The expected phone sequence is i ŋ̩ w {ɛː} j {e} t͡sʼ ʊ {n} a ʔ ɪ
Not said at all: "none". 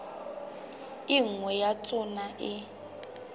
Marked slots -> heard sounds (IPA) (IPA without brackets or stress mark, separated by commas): ɛ, a, n